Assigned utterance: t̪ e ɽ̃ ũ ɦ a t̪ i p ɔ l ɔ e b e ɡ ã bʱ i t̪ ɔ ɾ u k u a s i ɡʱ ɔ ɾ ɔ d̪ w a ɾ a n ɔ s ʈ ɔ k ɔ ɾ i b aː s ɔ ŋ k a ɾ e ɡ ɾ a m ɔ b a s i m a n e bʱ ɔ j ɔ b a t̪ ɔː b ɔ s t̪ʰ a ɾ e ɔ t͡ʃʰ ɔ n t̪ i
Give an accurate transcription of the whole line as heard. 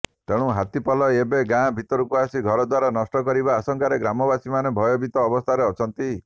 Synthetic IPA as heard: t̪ e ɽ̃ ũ ɦ a t̪ i p ɔ l ɔ e b e ɡ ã bʱ i t̪ ɔ ɾ u k u a s i ɡʱ ɔ ɾ ɔ d̪ w a ɾ a n ɔ s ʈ ɔ k ɔ ɾ i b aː s ɔ ŋ k a ɾ e ɡ ɾ a m ɔ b a s i m a n e bʱ ɔ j ɔ b i t̪ ɔː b ɔ s t̪ʰ a ɾ e ɔ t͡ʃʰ ɔ n t̪ i

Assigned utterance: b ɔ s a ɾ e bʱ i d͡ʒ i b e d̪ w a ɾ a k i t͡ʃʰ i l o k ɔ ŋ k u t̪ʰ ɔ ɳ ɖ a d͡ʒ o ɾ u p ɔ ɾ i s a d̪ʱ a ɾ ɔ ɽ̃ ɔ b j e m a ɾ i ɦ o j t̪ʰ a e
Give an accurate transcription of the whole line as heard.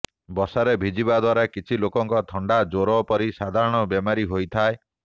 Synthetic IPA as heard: b ɔ s a ɾ e bʱ i d͡ʒ i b a d̪ w a ɾ a k i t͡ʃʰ i l o k ɔ ŋ k ɔ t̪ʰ ɔ ɳ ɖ a d͡ʒ o ɾ ɔ p ɔ ɾ i s a d̪ʱ a ɾ ɔ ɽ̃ ɔ b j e m a ɾ i ɦ o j t̪ʰ a e

